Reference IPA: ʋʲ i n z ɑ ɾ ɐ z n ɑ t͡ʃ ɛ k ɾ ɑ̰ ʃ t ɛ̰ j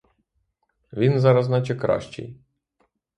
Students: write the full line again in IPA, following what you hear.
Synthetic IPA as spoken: ʋʲ i n z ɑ ɾ ɐ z n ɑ t͡ʃ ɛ k ɾ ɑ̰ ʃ t͡ʃ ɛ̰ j